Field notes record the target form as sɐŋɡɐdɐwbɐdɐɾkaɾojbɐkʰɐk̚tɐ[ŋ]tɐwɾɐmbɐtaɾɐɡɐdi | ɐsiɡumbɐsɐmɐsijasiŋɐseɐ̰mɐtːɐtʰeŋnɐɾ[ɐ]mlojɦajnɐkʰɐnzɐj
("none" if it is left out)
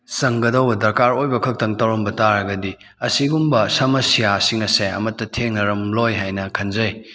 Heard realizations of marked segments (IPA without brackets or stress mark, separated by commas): ŋ, ɐ